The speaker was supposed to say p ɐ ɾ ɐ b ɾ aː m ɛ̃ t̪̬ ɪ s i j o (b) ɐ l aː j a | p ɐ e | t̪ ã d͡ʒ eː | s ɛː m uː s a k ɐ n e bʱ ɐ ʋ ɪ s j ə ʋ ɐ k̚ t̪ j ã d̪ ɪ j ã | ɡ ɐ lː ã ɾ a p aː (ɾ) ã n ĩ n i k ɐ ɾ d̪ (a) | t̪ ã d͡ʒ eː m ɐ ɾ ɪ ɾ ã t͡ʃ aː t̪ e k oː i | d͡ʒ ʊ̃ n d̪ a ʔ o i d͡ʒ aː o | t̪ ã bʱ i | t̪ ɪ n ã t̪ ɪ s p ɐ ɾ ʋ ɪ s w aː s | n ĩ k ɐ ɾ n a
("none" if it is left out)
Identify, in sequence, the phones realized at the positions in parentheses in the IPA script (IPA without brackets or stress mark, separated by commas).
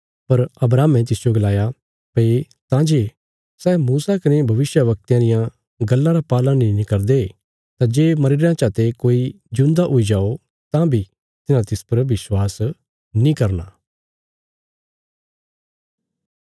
ɡ, l, e